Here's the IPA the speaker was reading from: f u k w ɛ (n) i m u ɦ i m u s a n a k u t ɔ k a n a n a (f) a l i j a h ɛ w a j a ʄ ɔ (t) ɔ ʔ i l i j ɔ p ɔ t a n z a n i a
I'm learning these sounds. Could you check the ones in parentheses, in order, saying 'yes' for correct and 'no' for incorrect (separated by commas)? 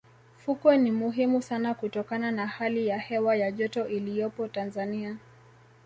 yes, no, yes